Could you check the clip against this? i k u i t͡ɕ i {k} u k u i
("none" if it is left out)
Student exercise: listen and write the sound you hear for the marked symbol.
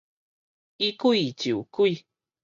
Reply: none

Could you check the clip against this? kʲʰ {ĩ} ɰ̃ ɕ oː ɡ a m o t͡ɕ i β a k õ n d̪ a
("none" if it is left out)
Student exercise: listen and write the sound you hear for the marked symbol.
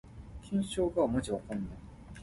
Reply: ĩ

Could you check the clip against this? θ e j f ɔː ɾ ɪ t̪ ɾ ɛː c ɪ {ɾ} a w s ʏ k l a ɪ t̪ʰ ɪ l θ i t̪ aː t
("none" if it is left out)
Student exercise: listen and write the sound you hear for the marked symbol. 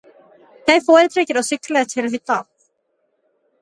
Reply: ɾ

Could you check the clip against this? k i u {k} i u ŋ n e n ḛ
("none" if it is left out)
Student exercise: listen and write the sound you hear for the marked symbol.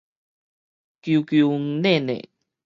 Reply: k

